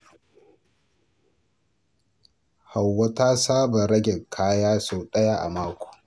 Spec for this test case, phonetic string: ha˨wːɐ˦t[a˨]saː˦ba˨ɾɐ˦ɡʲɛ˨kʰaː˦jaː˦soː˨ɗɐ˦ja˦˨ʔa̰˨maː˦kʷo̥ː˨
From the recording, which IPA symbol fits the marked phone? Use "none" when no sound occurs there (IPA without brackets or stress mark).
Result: a˦